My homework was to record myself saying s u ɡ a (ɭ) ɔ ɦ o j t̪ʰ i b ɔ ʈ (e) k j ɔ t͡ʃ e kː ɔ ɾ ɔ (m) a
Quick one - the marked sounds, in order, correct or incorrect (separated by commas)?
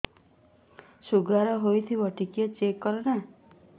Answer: incorrect, incorrect, incorrect